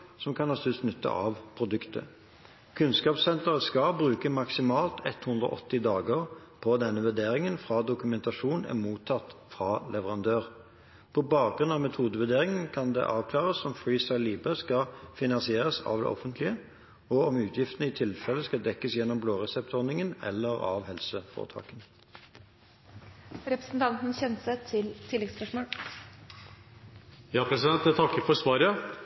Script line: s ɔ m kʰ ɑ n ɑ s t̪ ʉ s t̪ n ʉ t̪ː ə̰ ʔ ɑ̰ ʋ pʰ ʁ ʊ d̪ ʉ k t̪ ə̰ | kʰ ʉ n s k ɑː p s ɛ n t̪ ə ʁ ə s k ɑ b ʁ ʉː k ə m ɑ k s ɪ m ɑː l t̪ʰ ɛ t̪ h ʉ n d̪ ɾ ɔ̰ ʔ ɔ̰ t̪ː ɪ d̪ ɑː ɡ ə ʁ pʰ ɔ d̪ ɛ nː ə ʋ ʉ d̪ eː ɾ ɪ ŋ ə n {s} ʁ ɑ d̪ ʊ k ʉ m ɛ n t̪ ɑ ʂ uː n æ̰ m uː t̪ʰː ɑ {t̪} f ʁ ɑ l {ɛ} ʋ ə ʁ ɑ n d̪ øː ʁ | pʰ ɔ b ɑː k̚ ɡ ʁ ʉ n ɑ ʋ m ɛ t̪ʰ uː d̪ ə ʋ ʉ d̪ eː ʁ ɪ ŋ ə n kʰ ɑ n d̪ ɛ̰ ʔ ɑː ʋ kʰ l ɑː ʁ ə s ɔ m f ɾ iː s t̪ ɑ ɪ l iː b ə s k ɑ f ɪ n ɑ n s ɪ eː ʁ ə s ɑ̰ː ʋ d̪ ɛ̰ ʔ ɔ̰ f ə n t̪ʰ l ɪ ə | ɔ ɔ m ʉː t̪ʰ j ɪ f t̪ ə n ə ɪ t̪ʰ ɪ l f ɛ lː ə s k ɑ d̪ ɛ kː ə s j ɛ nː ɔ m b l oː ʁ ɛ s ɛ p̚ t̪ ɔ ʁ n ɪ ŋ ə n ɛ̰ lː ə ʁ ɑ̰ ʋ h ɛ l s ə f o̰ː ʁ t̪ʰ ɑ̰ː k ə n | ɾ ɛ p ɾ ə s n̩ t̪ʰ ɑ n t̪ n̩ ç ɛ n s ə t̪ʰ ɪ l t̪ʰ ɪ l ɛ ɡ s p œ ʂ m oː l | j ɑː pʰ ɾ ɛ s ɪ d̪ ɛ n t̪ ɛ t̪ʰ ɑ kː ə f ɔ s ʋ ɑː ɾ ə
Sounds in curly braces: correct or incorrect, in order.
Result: incorrect, correct, correct

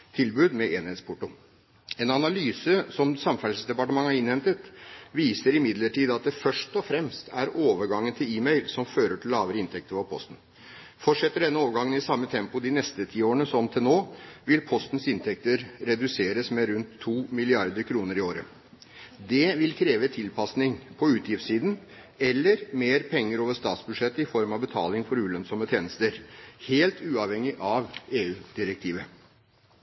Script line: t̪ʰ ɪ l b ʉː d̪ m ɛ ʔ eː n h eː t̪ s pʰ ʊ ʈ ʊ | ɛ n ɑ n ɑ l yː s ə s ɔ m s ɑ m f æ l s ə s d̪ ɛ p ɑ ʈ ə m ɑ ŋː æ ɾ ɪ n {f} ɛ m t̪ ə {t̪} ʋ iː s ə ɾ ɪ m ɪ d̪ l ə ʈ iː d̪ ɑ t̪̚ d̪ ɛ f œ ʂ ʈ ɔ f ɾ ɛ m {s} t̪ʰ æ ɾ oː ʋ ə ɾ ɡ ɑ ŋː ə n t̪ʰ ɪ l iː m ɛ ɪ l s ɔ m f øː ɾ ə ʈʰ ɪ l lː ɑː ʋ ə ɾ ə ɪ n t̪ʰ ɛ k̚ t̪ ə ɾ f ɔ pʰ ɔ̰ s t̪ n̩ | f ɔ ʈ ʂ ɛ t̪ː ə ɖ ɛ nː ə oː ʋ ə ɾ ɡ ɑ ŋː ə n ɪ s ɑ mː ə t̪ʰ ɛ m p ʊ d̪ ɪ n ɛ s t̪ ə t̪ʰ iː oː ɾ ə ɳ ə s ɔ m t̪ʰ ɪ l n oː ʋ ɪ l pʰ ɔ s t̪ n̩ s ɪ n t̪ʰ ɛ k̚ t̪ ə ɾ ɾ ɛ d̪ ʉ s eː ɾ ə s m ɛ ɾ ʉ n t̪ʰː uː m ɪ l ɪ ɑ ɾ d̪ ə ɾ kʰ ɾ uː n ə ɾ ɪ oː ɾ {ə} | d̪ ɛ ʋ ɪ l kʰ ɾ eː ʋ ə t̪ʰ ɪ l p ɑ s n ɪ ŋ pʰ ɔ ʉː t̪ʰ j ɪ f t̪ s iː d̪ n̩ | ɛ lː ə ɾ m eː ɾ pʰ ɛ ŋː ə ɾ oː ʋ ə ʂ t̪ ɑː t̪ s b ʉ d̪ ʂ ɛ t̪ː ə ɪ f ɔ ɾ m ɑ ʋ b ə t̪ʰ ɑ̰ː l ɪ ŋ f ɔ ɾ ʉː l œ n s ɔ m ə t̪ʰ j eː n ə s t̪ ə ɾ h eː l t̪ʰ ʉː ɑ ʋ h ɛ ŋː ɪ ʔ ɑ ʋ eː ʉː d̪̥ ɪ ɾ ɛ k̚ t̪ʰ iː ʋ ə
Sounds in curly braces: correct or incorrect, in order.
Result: incorrect, correct, correct, correct

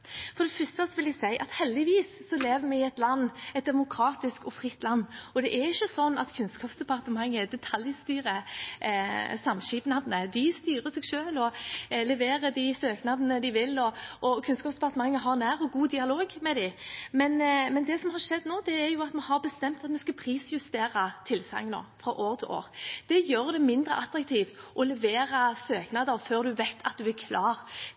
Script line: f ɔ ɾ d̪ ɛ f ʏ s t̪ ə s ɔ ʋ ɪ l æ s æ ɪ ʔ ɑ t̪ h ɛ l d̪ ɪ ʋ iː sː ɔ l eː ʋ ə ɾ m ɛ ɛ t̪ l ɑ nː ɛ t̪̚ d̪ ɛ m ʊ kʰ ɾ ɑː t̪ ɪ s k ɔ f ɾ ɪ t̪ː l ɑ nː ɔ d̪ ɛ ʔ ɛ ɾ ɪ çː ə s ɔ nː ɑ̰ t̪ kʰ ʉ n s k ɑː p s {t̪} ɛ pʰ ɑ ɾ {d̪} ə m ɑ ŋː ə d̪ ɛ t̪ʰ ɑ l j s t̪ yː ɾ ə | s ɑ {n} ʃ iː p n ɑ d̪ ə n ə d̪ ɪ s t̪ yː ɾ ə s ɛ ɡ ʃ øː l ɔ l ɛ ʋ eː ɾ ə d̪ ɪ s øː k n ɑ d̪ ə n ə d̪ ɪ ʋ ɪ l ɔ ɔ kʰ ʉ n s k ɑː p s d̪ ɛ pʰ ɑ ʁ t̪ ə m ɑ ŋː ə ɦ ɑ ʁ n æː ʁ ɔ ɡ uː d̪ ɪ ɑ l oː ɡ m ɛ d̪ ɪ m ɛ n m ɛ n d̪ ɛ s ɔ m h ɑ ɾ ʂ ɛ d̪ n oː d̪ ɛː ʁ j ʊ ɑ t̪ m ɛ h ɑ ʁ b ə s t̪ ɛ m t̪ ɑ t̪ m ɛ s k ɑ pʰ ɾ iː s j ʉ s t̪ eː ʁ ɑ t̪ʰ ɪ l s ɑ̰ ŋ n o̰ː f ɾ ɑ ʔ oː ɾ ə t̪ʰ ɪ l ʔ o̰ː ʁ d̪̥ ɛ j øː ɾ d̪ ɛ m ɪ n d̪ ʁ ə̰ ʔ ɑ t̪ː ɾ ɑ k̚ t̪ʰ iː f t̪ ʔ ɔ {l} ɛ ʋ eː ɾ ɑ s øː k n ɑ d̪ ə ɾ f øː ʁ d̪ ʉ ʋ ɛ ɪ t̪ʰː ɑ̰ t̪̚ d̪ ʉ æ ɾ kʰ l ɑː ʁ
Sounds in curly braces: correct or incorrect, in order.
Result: incorrect, incorrect, incorrect, correct

